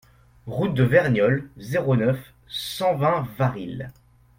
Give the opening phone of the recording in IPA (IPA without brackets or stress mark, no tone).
ʁ